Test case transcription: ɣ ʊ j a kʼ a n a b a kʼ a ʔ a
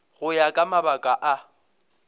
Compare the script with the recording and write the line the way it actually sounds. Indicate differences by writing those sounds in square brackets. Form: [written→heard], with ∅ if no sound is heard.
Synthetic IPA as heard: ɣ ʊ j a kʼ a [n→m] a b a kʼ a ʔ a